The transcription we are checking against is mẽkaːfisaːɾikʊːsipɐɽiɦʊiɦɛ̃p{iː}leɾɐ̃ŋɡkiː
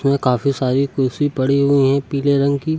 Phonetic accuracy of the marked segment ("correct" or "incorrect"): correct